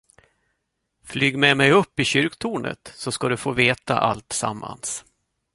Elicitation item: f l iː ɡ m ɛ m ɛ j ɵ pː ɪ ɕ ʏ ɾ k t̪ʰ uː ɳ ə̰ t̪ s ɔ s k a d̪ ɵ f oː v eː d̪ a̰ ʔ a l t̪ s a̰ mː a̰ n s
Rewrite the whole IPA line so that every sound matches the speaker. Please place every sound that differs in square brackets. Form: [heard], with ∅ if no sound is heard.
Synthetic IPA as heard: f l [yː] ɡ m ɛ m ɛ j ɵ pː ɪ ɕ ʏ ɾ k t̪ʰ uː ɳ ə̰ t̪ s ɔ s k a d̪ ɵ f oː v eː [t̪] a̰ ʔ a l t̪ s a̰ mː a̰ n s